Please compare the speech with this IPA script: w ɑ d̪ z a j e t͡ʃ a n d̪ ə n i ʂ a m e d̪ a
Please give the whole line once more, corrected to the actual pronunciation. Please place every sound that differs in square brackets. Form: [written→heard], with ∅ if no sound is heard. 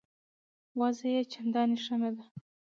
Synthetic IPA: w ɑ [d̪→∅] z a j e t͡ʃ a n d̪ [ə→ɑ] n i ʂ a m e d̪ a

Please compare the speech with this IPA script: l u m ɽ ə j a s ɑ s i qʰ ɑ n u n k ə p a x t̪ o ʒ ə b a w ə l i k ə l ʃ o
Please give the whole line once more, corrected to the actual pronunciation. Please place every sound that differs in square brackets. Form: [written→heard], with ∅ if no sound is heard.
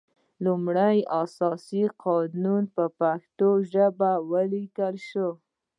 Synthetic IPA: l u m ɽ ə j a s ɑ s i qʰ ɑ n u n [k→p] ə p a x t̪ o ʒ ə b a w ə l i k ə l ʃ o

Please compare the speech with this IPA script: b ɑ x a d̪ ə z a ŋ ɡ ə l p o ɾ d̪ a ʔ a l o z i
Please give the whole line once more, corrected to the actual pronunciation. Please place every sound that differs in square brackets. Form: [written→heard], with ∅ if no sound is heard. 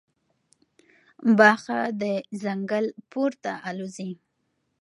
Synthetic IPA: b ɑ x a d̪ ə z a ŋ ɡ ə l p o ɾ [d̪→t̪] a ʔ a l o z i

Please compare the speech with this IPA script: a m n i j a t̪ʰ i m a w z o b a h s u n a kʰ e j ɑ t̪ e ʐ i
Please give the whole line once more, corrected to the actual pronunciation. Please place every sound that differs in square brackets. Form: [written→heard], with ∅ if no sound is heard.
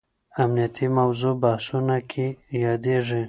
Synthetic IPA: a m n i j a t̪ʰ i m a w z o b a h s u n a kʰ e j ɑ [t̪→d̪] e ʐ i

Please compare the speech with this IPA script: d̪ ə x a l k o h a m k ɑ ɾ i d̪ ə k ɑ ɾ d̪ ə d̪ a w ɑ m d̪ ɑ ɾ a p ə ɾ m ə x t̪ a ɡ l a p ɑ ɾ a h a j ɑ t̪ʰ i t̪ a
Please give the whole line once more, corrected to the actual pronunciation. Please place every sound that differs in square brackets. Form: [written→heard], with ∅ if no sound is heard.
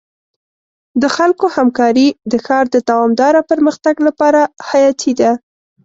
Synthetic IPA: d̪ ə x a l k o h a m k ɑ ɾ i d̪ ə [k→x] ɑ ɾ d̪ ə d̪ a w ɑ m d̪ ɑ ɾ a p ə ɾ m ə x t̪ a ɡ l a p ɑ ɾ a h a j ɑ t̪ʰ i [t̪→d̪] a

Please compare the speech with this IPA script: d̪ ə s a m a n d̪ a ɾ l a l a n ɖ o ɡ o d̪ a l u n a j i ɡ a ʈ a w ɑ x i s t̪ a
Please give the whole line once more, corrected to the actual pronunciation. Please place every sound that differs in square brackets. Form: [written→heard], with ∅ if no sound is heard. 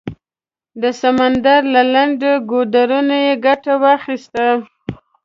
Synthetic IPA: d̪ ə s a m a n d̪ a ɾ l a l a [n→ɳ] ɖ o ɡ o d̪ a [l→ɾ] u n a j [i→e] ɡ a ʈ a w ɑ x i s t̪ a

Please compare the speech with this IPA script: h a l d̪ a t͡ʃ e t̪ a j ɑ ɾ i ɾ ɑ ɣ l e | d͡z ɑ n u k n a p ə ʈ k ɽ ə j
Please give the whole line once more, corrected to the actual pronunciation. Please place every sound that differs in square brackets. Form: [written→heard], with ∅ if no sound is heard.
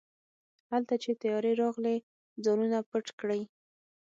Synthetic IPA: h a l [d̪→t̪] a t͡ʃ e t̪ a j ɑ ɾ [i→e] ɾ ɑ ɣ l e | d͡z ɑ n u [k→∅] n a p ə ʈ k ɽ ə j

